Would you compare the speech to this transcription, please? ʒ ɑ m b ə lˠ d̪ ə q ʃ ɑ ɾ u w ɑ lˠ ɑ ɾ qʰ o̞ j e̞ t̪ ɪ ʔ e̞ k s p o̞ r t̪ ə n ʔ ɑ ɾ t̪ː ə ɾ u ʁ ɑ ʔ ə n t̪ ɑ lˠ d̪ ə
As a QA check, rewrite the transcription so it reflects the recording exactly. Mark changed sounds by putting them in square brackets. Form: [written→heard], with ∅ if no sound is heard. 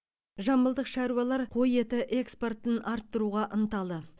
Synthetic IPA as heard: ʒ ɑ m b ə lˠ d̪ ə q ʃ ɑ ɾ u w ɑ lˠ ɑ ɾ qʰ o̞ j e̞ t̪ ɪ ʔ e̞ k s p o̞ r t̪ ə n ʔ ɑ ɾ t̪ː ə ɾ u ʁ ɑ ʔ ə n t̪ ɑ lˠ d̪ ə